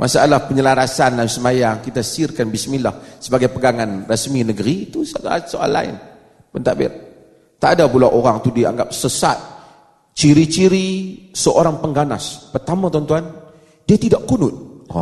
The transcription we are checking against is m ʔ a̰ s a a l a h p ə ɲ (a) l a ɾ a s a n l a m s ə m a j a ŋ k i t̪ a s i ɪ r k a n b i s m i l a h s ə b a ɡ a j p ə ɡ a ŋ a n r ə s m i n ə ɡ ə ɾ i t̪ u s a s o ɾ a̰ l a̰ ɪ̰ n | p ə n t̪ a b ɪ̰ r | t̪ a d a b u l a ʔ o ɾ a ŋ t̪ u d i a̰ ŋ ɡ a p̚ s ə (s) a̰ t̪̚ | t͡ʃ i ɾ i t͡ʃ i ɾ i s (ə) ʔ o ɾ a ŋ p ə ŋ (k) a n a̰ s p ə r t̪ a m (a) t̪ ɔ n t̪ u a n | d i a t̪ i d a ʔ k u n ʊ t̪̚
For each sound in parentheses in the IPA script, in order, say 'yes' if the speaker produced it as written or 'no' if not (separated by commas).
no, yes, yes, no, yes